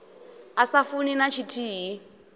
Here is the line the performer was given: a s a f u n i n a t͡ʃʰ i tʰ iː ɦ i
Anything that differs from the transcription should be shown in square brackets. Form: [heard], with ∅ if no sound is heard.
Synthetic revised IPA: a s a f u n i n a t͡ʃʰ i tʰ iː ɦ i